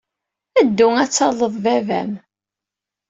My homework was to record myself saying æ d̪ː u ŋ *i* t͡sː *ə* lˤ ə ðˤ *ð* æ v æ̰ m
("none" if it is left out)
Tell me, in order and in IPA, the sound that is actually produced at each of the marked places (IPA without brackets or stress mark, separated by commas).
æ, ɑ, v